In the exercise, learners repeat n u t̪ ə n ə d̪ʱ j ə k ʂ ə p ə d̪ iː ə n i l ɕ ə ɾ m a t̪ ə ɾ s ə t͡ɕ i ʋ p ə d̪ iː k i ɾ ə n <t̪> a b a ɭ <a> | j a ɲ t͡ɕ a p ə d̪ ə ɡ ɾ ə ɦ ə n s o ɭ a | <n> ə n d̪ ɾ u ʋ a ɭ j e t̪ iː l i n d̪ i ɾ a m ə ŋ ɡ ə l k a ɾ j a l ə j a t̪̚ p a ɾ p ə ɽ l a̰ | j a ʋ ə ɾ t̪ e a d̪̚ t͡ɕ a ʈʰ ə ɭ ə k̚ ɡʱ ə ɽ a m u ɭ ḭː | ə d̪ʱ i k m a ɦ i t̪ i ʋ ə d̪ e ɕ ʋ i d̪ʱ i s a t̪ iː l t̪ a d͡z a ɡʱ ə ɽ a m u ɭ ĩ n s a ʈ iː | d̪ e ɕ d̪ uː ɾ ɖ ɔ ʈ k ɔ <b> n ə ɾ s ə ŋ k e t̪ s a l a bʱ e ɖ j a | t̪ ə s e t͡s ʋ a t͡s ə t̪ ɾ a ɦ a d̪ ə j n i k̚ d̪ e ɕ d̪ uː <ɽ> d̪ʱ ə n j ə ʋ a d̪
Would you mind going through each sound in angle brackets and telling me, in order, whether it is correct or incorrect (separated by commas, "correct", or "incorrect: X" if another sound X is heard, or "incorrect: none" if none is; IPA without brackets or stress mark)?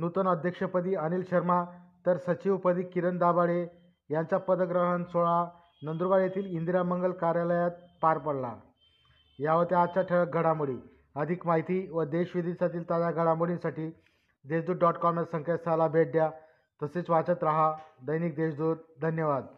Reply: incorrect: d̪, incorrect: e, correct, incorrect: m, incorrect: ɾ